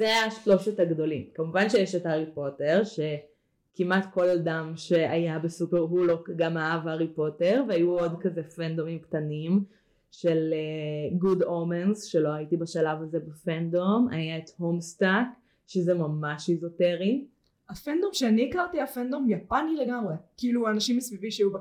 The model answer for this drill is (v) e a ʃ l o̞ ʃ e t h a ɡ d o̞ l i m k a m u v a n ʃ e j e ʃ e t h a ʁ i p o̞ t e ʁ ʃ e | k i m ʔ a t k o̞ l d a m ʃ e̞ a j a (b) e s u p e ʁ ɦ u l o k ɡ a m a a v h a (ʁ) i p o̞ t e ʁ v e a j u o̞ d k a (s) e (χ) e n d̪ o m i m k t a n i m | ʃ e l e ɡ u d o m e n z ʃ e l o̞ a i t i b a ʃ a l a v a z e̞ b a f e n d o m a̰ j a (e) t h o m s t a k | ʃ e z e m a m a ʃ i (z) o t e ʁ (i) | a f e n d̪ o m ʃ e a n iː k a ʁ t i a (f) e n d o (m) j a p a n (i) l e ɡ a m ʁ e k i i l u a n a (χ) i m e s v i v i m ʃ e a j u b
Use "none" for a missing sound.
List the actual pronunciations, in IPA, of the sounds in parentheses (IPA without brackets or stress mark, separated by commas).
z, b, ʁ, z, f, e, z, i, f, m, i, ʃ